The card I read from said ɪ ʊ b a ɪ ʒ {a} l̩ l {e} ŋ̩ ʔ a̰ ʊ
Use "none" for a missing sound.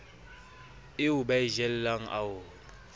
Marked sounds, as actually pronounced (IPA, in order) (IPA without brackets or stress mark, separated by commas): ɛ, a